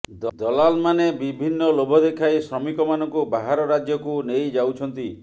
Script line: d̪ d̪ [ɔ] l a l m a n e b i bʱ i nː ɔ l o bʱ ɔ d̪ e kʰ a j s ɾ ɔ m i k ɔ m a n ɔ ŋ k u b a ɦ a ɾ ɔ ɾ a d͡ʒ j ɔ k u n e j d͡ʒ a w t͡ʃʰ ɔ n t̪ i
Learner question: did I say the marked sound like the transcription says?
yes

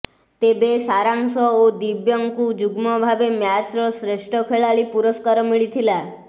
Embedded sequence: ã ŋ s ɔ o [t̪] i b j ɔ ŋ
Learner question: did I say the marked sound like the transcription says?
no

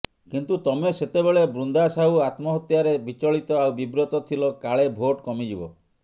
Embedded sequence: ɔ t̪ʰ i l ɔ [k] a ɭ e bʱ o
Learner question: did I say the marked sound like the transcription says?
yes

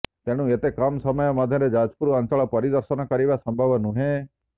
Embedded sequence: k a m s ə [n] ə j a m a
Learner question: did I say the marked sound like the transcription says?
no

